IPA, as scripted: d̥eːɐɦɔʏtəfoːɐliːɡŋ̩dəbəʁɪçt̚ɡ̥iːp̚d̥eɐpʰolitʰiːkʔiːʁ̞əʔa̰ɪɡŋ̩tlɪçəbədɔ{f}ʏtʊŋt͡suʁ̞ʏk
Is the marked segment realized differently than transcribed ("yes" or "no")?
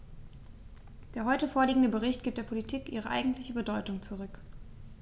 yes